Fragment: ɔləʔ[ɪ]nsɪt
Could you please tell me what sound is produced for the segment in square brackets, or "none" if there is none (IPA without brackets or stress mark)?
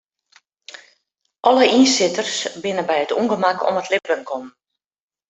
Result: i